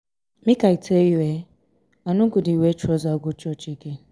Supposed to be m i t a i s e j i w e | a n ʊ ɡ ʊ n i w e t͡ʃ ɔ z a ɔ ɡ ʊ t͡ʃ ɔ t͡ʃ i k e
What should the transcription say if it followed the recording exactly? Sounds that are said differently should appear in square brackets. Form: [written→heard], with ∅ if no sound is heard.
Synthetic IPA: m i [t→k] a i [s→t] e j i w e | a n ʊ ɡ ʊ [n→d] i w e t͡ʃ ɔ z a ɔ ɡ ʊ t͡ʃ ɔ t͡ʃ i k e